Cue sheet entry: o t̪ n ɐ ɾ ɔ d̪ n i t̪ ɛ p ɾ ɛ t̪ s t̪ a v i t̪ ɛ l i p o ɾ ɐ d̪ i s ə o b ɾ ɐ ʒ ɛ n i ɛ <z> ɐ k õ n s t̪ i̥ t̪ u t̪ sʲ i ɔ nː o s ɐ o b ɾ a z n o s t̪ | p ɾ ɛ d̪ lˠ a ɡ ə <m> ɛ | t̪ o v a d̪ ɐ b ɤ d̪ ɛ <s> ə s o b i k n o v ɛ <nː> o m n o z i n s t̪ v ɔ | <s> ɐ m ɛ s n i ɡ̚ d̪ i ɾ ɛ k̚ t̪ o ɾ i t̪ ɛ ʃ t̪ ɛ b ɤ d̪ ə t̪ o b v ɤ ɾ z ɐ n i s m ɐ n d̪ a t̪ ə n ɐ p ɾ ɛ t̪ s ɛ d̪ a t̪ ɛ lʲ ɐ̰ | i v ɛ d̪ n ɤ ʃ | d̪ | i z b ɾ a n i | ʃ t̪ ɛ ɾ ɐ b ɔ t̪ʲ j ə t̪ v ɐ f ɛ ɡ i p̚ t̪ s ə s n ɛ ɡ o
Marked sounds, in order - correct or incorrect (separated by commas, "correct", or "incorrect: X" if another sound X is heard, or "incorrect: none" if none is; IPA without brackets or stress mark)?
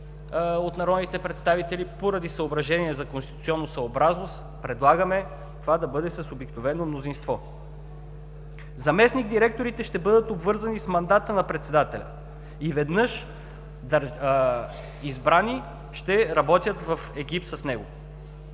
correct, correct, correct, incorrect: n, incorrect: z